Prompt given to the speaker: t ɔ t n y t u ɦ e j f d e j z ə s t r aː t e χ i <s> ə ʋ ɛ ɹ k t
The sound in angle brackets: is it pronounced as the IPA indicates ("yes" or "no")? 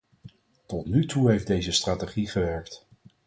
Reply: no